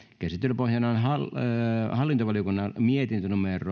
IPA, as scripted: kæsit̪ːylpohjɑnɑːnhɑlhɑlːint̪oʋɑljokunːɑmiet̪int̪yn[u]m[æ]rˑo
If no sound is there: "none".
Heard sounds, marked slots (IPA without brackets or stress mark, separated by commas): u, e